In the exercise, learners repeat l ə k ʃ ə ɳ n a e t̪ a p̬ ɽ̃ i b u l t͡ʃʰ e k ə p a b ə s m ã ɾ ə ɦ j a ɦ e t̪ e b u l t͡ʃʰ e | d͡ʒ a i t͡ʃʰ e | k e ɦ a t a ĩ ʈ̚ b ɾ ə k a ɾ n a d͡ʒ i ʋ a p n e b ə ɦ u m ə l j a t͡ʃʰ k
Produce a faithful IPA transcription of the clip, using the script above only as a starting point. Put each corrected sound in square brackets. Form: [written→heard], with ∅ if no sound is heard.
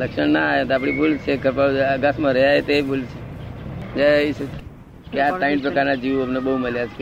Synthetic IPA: l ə k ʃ ə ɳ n a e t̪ a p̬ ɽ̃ i b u l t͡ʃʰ e k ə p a [b→ɡ] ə s m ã ɾ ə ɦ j a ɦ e t̪ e b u l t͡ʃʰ e | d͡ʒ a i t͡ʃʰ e | k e [ɦ→∅] a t a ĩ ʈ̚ [b→p] ɾ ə k a ɾ n a d͡ʒ i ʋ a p n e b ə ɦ u m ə l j a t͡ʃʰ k